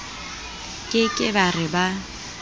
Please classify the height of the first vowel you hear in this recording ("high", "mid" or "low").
high